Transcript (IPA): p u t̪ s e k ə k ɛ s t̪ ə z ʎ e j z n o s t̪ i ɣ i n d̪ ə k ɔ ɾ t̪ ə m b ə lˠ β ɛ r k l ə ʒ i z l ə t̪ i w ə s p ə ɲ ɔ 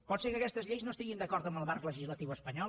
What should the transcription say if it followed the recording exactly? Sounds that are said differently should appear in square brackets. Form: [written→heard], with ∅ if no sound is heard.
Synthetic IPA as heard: p [u→ɔ] t̪ s e k ə k ɛ s t̪ ə z ʎ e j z n o s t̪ i ɣ i n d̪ ə k ɔ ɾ t̪ ə m b ə lˠ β [ɛ→a] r k l ə ʒ i z l ə t̪ i w ə s p ə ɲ ɔ